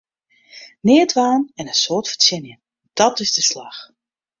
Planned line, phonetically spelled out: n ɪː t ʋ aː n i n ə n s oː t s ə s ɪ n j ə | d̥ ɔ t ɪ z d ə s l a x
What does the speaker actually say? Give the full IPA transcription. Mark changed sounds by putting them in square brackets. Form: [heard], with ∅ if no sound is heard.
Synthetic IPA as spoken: n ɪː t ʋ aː n [ɛ] n ə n s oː t [f] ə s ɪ n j ə | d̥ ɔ t ɪ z d ə s l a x